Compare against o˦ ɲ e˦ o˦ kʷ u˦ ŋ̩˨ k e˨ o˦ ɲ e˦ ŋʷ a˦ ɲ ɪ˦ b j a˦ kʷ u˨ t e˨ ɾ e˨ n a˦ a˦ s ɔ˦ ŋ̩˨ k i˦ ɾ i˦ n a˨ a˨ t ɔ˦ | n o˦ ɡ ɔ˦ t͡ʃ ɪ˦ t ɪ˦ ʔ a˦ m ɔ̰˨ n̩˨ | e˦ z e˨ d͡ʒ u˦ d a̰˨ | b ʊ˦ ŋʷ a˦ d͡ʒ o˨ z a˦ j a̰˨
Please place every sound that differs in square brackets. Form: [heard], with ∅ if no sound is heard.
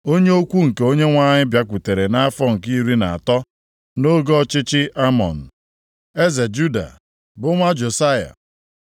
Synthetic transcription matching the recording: o˦ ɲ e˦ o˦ kʷ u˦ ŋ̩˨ k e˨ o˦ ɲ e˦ ŋʷ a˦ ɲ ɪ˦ b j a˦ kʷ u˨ t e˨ ɾ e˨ n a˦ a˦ [f] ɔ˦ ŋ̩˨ k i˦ ɾ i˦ n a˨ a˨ t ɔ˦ | n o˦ ɡ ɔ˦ t͡ʃ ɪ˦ [t͡ʃ] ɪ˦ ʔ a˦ m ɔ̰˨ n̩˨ | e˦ z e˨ d͡ʒ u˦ d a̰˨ | b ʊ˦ ŋʷ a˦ d͡ʒ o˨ [s] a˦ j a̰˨